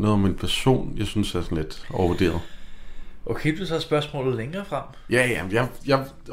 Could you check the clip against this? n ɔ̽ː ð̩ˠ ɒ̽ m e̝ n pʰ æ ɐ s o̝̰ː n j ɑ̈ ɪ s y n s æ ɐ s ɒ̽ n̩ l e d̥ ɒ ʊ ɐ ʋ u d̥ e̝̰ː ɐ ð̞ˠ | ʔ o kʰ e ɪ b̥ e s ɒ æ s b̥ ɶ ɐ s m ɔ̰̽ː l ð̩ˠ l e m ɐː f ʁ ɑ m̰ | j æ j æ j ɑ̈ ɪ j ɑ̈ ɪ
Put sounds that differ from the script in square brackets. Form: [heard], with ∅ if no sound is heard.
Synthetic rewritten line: n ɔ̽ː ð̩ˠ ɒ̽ m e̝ n pʰ æ ɐ s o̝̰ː n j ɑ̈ ɪ s y n s æ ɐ s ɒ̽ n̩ l e d̥ ɒ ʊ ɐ ʋ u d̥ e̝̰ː ɐ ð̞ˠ | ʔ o kʰ e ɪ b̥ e s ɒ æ s b̥ ɶ ɐ s m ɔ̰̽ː l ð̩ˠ l e [ŋ] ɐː f ʁ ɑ m̰ | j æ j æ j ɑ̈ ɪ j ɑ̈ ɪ